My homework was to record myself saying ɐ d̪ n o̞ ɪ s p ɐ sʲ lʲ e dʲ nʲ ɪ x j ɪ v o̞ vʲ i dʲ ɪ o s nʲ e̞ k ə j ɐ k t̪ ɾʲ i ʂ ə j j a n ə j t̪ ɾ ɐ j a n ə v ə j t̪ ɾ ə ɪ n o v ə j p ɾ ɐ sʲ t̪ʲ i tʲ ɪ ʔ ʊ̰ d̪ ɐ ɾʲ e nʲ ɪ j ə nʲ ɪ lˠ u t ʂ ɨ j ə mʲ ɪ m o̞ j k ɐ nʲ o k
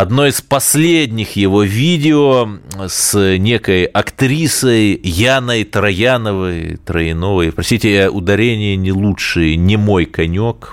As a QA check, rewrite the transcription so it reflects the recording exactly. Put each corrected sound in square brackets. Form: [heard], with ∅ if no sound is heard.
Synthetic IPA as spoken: ɐ d̪ n o̞ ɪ s p ɐ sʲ lʲ e dʲ nʲ ɪ x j ɪ v o̞ vʲ i dʲ ɪ o s nʲ e̞ k ə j ɐ k t̪ ɾʲ i [s] ə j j a n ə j t̪ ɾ ɐ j a n ə v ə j t̪ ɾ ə ɪ n o v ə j p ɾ ɐ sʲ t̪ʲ i tʲ ɪ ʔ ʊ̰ d̪ ɐ ɾʲ e nʲ ɪ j ə nʲ ɪ lˠ u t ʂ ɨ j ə [nʲ] ɪ m o̞ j k ɐ nʲ o k